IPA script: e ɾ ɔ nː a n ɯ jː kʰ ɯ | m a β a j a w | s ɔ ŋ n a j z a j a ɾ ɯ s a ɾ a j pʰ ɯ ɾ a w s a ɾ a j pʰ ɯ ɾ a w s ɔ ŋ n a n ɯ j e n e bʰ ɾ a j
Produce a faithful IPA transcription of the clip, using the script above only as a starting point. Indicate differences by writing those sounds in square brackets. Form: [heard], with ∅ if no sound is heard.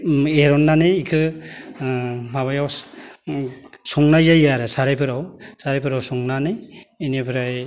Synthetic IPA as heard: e ɾ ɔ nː a n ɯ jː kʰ ɯ | m a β a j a w | s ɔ ŋ n a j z a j a ɾ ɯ s a ɾ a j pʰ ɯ ɾ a w s a ɾ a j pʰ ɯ ɾ a w s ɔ ŋ n a n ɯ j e n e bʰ ɾ a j